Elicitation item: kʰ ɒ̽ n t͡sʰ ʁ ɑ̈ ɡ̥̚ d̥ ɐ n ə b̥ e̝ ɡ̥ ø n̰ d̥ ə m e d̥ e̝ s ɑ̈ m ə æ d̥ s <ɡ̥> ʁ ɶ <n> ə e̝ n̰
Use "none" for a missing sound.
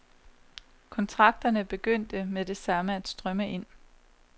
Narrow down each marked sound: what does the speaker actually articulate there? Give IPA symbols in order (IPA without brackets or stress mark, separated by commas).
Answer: d̥, m